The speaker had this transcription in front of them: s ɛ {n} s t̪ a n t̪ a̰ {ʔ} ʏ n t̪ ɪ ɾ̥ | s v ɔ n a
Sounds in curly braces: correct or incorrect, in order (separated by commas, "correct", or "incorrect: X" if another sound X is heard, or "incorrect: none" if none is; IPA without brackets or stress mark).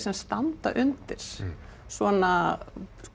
incorrect: m, correct